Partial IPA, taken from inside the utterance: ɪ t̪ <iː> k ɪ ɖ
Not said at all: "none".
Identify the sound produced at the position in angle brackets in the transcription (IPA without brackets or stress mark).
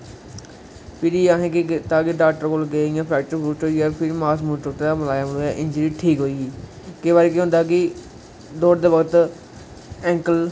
aː